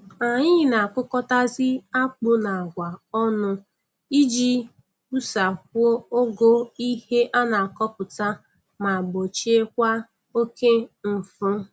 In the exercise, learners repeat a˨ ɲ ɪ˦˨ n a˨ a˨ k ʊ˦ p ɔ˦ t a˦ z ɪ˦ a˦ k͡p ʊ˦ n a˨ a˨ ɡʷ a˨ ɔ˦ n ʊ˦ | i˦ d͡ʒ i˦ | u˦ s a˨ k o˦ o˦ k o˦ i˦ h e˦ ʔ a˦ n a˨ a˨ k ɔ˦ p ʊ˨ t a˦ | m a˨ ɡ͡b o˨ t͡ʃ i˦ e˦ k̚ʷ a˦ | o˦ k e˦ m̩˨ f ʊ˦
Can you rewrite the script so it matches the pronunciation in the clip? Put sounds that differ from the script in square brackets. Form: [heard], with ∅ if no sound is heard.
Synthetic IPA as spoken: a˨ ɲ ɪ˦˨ n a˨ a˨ k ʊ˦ [k] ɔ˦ t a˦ z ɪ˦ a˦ k͡p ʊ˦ n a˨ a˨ ɡʷ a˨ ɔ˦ n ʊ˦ | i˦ d͡ʒ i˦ | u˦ s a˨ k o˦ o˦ [ɡ] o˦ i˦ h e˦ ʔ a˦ n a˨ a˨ k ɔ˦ p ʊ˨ t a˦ | m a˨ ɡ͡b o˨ t͡ʃ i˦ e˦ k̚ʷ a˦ | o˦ k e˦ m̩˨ f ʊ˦